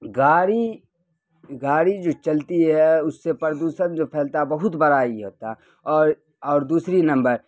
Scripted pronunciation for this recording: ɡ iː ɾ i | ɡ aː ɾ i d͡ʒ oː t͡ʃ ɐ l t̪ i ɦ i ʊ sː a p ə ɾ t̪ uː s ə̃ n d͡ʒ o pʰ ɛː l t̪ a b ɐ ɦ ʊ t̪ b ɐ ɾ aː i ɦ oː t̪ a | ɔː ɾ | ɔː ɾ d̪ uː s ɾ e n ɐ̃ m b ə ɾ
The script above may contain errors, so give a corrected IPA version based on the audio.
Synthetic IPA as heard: ɡ aː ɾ i | ɡ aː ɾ i d͡ʒ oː t͡ʃ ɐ l t̪ i ɦ ɛ ʊ sː e p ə ɾ d̪ uː s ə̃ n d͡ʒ o pʰ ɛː l t̪ a b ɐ ɦ ʊ t̪ b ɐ ɾ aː i ɦ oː t̪ a | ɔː ɾ | ɔː ɾ d̪ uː s ɾ i n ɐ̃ m b ə ɾ